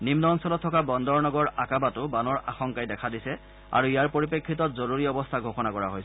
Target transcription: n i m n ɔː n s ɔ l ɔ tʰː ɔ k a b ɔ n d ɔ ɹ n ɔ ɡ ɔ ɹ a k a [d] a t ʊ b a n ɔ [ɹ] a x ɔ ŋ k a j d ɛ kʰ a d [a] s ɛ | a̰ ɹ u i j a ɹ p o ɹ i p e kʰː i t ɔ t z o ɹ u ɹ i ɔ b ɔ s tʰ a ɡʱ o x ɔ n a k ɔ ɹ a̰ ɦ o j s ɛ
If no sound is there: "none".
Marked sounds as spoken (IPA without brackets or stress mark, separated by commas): b, ɹ, i